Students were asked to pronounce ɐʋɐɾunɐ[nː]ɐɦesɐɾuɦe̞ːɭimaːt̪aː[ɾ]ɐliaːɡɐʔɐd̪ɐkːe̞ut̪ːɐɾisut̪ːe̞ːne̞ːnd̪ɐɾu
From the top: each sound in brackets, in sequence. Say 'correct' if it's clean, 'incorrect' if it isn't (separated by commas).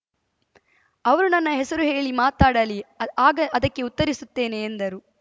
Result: correct, incorrect